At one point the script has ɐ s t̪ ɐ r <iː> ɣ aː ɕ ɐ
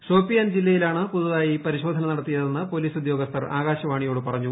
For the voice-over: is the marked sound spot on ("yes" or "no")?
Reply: no